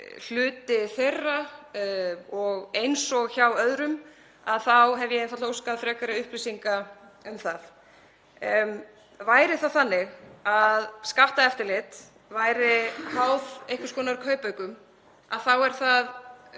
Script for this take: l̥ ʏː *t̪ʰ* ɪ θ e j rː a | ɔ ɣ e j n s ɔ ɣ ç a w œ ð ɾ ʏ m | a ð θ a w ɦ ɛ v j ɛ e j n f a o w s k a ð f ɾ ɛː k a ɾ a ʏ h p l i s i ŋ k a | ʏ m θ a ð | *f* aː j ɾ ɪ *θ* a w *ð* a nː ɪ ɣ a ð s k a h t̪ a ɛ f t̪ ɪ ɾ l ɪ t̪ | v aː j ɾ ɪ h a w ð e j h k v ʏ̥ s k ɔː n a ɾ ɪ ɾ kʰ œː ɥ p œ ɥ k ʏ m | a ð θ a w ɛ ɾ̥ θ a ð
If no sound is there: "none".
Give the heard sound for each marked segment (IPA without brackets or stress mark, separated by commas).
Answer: t̪, v, θ, θ